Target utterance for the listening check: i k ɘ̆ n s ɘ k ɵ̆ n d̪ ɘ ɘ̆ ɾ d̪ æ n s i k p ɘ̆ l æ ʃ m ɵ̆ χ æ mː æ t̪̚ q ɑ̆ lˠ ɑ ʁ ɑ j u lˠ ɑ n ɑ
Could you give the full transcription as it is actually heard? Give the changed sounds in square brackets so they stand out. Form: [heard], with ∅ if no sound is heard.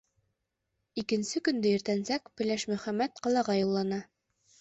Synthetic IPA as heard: i k ɘ̆ n s ɘ k ɵ̆ n d̪ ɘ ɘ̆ ɾ [t̪] æ n s [æ] k p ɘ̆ l æ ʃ m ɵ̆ χ æ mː æ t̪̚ q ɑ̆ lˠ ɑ ʁ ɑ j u [lˠː] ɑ n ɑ